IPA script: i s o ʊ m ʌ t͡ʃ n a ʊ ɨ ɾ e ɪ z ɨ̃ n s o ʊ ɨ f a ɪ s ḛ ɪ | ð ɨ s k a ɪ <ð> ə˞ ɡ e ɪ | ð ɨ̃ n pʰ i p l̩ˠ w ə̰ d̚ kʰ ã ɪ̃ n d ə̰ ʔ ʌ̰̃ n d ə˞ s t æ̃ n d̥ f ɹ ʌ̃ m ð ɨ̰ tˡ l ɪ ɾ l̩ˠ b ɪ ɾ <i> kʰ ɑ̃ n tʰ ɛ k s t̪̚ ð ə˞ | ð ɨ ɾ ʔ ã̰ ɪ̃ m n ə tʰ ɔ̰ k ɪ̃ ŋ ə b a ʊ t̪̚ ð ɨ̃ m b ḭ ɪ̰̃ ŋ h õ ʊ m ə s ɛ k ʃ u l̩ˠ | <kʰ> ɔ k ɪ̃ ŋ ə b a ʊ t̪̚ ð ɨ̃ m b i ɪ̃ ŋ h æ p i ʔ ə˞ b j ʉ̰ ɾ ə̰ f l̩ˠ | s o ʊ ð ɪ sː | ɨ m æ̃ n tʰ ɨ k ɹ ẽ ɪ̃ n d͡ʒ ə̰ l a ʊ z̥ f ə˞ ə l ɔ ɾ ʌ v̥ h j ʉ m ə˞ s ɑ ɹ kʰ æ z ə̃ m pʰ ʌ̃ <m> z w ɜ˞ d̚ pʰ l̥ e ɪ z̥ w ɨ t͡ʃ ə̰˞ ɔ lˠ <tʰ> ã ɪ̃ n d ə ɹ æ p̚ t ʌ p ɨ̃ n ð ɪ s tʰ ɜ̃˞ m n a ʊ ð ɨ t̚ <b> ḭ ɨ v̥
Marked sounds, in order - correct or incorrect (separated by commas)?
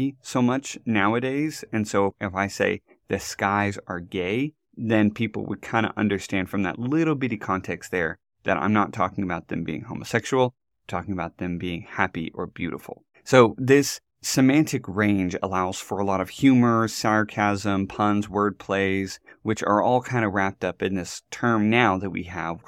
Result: incorrect, correct, incorrect, incorrect, incorrect, incorrect